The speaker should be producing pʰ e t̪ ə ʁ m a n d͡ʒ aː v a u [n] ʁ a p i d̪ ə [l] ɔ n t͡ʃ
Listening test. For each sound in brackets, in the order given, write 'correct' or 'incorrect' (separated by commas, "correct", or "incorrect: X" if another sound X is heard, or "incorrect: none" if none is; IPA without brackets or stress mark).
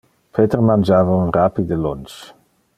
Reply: correct, correct